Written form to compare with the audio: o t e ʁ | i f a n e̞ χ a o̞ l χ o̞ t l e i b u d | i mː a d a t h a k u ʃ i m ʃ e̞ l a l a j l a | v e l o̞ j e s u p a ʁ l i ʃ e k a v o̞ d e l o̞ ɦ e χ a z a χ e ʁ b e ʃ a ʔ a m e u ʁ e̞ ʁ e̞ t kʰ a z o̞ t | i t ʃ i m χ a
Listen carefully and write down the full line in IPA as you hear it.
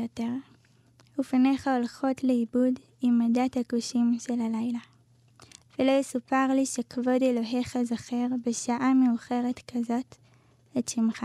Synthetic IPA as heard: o t e ʁ | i f a n e̞ χ a o̞ l χ o̞ t l e i b u d | i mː a d a t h a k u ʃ i m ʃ e̞ l a l a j l a | v e l o̞ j e s u p a ʁ l i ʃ e k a v o̞ d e l o̞ ɦ e χ a z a χ e ʁ b e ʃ a ʔ a m e u χ e̞ ʁ e̞ t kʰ a z o̞ t | e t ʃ i m χ a